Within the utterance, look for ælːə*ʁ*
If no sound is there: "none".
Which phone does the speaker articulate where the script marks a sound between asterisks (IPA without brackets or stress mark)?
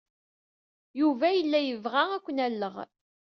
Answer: ʁ